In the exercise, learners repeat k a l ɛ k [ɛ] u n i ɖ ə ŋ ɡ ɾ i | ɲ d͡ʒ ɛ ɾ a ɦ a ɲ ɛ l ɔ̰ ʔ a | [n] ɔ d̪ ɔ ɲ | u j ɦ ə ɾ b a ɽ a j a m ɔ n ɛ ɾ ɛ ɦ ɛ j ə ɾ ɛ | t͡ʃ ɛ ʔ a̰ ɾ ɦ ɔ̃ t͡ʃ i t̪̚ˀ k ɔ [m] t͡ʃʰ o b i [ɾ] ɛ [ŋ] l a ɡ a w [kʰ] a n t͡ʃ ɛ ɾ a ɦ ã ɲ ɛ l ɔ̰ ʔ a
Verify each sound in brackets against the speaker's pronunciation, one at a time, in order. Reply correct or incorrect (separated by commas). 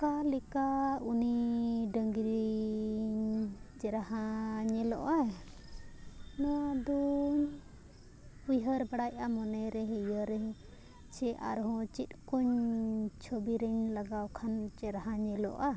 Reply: incorrect, correct, incorrect, correct, incorrect, correct